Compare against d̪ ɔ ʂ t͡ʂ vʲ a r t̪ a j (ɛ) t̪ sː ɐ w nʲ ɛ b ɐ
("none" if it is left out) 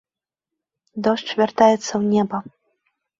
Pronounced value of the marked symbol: ɛ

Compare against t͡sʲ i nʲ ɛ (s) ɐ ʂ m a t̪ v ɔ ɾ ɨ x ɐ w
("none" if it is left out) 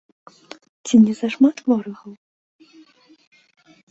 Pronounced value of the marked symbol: z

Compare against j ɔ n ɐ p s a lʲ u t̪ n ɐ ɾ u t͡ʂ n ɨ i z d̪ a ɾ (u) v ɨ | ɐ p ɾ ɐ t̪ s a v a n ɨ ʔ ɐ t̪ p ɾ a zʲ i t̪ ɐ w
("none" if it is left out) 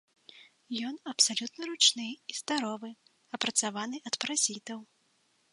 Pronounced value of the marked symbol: ɔ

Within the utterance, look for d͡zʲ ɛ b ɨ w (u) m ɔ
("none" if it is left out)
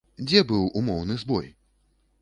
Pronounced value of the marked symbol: u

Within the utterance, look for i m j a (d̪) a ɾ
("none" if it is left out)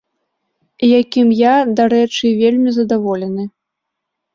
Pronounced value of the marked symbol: d̪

